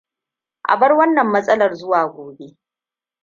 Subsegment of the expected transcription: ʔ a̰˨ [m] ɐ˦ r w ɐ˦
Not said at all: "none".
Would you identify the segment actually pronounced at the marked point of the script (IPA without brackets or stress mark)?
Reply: b